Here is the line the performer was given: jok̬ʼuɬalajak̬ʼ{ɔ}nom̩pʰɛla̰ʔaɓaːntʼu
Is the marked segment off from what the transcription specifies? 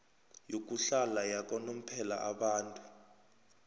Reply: no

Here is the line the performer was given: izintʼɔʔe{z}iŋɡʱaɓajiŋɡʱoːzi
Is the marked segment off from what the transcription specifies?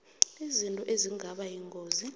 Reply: no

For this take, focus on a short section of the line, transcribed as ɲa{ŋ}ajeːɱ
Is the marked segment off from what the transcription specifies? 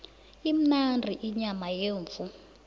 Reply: yes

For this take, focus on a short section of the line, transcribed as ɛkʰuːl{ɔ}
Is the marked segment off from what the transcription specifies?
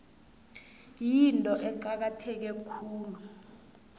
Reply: yes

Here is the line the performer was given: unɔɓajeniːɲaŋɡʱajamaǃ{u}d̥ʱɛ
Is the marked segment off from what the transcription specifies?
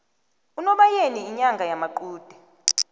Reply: yes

